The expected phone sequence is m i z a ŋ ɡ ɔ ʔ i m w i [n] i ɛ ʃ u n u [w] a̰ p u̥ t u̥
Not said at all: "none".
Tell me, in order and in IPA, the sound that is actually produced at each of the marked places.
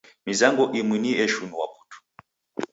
n, w

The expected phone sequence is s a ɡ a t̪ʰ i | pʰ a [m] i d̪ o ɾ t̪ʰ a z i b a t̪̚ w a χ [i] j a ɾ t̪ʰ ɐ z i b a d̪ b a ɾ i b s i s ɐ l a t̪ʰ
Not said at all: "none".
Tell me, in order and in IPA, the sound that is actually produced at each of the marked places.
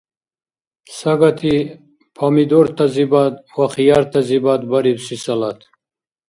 m, i

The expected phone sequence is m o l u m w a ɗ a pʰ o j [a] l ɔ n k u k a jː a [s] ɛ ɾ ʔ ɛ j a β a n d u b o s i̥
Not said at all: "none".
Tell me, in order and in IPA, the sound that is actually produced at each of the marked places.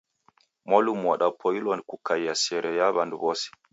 i, s

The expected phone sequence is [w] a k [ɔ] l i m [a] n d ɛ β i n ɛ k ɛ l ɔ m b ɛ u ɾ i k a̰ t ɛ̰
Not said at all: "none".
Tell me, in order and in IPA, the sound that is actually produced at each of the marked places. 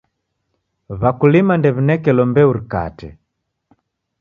β, u, a

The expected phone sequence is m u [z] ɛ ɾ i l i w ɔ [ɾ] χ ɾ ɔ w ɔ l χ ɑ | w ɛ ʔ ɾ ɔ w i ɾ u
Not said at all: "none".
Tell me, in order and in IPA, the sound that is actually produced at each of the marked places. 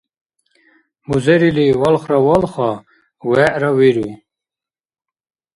z, l

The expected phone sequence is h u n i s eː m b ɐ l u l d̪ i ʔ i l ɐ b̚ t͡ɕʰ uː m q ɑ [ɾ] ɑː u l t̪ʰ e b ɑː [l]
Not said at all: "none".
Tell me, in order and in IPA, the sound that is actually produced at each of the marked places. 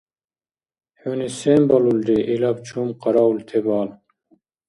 ɾ, l

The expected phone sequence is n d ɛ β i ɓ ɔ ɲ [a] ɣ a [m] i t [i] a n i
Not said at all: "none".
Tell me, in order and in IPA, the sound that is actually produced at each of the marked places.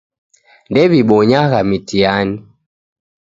a, m, i

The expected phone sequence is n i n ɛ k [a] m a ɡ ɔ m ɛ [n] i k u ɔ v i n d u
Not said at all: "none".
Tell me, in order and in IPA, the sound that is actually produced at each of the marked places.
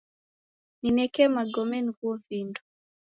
ɛ, n

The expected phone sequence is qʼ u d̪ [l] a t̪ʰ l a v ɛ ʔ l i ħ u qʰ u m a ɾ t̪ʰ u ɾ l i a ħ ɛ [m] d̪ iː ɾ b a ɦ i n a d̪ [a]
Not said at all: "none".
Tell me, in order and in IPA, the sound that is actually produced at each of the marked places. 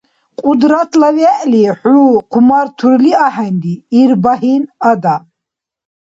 ɾ, n, a

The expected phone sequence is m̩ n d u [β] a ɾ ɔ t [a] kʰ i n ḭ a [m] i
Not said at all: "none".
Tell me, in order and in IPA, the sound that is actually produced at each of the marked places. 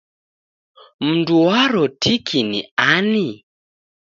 w, i, n

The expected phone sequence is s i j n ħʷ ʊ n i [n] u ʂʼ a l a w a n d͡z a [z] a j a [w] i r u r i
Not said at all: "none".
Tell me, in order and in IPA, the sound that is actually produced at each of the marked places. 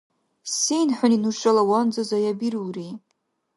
n, z, b

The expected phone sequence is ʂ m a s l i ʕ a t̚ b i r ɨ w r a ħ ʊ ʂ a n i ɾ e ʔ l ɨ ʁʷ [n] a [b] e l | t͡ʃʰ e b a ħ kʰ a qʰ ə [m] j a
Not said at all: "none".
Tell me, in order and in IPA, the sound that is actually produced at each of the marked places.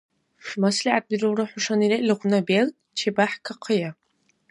n, b, none

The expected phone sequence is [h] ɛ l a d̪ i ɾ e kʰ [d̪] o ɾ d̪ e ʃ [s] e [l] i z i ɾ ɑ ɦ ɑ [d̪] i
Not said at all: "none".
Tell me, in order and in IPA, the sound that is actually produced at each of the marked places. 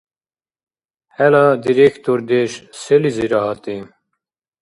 h, t̪, s, l, t̪

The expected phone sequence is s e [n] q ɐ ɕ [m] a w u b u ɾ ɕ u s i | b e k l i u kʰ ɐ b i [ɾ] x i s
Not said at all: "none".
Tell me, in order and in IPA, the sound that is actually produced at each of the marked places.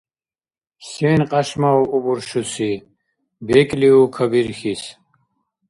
n, m, ɾ

